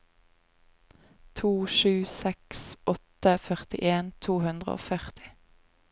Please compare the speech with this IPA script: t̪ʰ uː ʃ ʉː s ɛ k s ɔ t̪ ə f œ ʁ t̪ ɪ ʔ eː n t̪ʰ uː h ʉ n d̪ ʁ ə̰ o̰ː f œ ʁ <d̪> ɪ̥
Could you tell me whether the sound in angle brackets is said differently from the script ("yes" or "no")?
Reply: yes